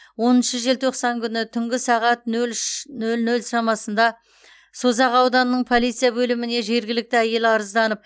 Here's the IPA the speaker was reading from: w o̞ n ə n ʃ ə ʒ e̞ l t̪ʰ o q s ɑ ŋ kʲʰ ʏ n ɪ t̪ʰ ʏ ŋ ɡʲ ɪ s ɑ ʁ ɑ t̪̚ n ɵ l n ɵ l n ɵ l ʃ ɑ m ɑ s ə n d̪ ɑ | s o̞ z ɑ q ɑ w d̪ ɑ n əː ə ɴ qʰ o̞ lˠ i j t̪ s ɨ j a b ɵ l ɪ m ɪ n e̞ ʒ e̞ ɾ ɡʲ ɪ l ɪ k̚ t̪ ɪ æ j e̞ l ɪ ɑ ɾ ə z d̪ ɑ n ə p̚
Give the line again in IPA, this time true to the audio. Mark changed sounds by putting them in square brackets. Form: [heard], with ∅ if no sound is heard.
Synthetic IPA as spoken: w o̞ n ə n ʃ ə ʒ e̞ l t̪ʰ o q s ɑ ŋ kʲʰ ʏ n ɪ t̪ʰ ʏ ŋ ɡʲ ɪ s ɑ ʁ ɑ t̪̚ n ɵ l n ɵ l n ɵ l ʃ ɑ m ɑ s ə n d̪ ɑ | s o̞ z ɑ q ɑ w d̪ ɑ n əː ə ɴ [pʰ] o̞ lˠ i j t̪ s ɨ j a b ɵ l ɪ m ɪ n e̞ ʒ e̞ ɾ ɡʲ ɪ l ɪ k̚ t̪ ɪ æ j e̞ l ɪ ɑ ɾ ə z d̪ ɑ n ə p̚